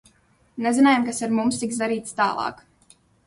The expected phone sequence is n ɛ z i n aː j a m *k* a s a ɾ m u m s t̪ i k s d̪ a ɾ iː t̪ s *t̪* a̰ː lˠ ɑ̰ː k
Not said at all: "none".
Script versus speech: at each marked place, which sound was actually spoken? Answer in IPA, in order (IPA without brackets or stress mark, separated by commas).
k, t̪